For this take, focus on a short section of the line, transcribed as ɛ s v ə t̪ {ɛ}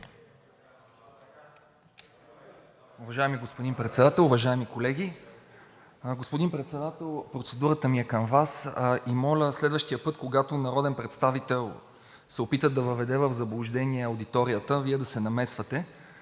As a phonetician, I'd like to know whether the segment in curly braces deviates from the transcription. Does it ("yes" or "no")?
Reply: no